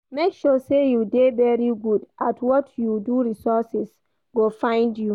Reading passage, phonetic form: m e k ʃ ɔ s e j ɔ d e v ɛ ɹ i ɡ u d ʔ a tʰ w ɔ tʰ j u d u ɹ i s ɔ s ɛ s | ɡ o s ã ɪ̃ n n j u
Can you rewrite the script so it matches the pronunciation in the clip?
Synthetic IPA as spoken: m e k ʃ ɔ s e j u d e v ɛ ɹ i ɡ u d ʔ a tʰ w ɔ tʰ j u d u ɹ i s ɔ s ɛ s | ɡ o f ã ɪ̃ n d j u